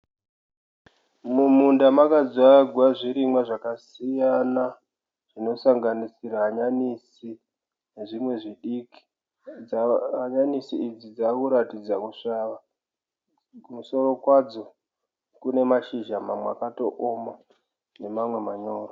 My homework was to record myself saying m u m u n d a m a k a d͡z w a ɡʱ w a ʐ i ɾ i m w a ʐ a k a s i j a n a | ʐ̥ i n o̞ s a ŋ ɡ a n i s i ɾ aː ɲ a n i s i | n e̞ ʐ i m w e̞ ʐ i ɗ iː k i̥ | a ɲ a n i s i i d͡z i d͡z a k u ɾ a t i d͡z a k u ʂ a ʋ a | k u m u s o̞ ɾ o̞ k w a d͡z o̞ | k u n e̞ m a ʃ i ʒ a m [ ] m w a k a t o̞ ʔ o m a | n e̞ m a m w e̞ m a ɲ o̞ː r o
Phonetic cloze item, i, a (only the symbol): a